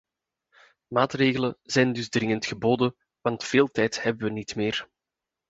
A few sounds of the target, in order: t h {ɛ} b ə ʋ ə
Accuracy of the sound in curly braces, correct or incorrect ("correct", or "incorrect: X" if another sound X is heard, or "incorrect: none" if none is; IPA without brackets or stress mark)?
correct